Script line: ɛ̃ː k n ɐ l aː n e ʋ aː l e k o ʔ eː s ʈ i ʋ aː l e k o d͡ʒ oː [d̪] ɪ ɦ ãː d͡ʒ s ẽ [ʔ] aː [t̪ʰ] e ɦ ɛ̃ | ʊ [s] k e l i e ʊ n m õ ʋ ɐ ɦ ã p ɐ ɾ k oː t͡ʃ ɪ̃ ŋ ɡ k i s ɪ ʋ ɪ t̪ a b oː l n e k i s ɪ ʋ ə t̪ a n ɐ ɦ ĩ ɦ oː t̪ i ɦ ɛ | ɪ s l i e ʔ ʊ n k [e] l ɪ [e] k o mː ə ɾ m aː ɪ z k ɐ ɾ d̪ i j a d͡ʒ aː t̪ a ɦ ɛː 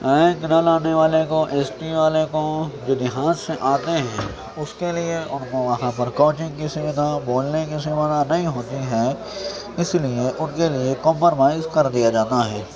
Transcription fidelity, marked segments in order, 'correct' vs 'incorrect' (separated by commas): correct, correct, incorrect, correct, correct, correct